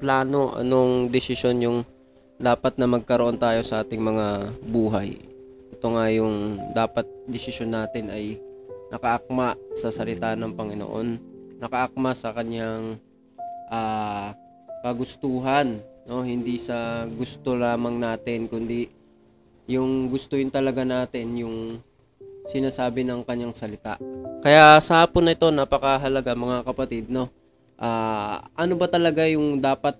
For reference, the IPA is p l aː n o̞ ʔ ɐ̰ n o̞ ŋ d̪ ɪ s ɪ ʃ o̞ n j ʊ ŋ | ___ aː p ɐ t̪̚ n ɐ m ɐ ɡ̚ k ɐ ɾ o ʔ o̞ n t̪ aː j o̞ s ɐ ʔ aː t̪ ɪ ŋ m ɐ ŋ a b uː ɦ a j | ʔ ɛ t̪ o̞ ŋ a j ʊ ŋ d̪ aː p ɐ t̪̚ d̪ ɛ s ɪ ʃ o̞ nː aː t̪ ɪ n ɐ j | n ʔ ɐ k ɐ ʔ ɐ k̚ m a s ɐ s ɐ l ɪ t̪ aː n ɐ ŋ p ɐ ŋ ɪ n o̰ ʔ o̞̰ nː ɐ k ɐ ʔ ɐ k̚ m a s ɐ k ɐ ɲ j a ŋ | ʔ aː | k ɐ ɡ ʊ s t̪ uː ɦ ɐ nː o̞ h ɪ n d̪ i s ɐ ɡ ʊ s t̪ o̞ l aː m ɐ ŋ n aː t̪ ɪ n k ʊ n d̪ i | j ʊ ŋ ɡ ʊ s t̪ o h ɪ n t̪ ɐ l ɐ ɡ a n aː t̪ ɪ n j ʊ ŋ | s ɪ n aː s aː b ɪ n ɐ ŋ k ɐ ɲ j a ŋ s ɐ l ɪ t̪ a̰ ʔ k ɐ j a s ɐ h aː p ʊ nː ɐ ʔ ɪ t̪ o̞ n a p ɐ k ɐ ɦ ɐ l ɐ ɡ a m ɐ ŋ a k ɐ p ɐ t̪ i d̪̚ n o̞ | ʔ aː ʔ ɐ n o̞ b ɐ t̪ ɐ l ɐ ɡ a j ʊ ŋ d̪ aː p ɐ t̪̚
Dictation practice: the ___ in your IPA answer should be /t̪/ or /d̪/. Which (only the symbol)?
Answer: d̪